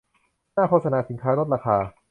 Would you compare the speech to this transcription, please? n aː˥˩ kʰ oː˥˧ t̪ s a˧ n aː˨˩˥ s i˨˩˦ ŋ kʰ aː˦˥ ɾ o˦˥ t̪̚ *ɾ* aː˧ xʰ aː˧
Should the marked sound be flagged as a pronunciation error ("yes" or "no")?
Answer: no